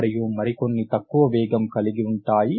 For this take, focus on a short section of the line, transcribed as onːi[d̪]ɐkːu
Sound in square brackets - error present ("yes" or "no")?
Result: yes